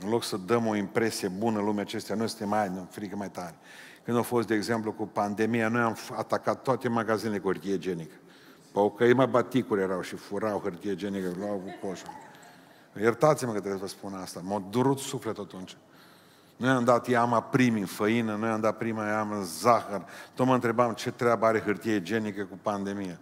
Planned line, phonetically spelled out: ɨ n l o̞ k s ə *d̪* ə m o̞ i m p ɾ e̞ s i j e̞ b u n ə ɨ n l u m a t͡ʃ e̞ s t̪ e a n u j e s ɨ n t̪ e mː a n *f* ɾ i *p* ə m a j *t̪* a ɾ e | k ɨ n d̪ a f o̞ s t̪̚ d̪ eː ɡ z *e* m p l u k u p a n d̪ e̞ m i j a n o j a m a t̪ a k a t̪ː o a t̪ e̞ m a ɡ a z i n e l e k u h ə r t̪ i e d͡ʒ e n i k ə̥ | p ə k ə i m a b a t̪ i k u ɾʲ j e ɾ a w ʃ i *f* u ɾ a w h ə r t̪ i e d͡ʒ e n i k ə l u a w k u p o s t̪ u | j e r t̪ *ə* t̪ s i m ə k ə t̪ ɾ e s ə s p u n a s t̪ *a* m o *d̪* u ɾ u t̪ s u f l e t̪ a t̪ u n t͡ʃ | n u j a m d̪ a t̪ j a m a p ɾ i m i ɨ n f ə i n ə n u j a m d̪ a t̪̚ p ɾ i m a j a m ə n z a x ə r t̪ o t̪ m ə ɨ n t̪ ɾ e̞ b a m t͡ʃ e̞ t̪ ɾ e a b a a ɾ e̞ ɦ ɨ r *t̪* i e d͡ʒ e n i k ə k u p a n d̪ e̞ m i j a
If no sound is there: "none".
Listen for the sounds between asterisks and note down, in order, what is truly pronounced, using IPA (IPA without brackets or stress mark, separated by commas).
d̪, f, k, t̪, e, f, a, a, d̪, t̪